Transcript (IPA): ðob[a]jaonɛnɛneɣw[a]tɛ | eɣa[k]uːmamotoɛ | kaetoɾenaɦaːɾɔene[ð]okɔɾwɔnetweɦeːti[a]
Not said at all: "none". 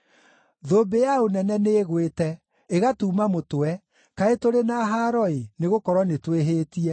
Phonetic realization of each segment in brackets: e, e, t, ɣ, ɛ

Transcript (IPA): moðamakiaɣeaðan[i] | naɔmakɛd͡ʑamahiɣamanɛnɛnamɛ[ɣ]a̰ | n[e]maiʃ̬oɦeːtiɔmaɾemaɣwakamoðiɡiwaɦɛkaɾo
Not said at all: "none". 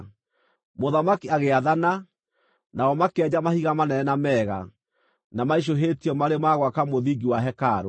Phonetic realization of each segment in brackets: a, ɣ, a

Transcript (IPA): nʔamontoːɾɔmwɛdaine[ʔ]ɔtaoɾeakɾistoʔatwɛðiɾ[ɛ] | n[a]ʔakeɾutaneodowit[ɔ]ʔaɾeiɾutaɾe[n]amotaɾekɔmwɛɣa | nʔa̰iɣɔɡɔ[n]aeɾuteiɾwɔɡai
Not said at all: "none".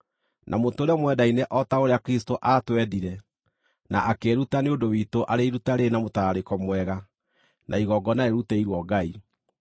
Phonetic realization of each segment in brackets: ʔ, ɛ, a, o, n, n

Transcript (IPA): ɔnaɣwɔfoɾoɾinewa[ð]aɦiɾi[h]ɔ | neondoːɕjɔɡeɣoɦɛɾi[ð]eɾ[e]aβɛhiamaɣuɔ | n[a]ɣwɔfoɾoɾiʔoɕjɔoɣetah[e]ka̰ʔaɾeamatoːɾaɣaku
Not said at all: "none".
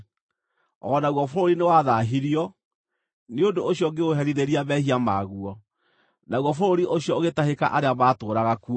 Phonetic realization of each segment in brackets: ð, none, ð, i, a, e

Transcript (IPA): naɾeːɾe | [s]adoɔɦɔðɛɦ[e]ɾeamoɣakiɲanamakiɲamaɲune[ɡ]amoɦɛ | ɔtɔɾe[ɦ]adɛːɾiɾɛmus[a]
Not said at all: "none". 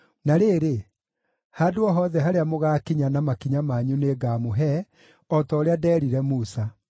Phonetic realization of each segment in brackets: h, a, ɡ, none, a

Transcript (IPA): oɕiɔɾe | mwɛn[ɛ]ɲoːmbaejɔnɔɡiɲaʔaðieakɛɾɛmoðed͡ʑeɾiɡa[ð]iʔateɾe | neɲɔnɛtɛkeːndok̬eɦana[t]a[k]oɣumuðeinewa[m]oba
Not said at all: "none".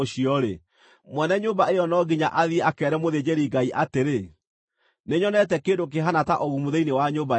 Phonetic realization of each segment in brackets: ɛ, none, t, ʔ, ɲ

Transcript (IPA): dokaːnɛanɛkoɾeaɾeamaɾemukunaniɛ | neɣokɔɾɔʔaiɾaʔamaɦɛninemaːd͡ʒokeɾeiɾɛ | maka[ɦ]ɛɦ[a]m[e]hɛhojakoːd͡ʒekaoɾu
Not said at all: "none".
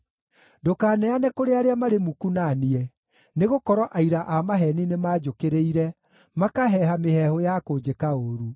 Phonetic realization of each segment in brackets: ɦ, a, e

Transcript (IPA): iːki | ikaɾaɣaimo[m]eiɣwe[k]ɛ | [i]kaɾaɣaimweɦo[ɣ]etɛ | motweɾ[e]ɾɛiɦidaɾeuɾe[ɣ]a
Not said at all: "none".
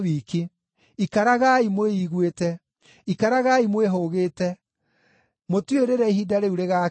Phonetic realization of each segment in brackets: none, t, i, ɣ, e, ɣ

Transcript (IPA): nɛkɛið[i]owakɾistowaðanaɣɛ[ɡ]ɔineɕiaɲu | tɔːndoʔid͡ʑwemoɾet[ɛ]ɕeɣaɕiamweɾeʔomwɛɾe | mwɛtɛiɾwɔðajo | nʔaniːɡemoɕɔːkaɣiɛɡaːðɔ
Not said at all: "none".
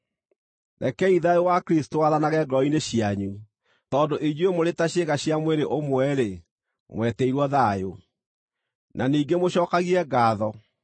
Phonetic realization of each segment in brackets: a, ɡ, a

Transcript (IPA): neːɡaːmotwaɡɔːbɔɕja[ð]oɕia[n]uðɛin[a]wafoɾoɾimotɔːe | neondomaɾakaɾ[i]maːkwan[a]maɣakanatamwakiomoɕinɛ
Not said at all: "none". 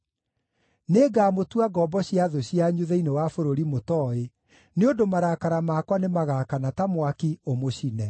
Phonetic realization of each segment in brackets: ð, ɲ, e, a, e

